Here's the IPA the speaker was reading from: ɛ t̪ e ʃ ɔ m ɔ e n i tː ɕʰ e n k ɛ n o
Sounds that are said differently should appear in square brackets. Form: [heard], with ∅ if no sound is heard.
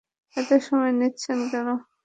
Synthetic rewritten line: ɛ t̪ e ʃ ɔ m ɔ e n i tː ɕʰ e n k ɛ n o